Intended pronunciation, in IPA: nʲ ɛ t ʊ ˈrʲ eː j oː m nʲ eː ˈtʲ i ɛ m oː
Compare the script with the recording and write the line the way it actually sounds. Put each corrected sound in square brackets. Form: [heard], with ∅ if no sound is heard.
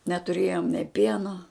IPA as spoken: nʲ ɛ t ʊ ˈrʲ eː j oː m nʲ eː [ˈpʲ] i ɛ [n] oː